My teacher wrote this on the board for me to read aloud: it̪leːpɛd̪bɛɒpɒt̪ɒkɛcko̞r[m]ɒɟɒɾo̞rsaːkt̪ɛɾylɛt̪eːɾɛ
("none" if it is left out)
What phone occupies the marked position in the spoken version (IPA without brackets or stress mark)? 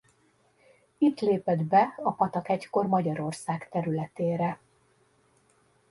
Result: m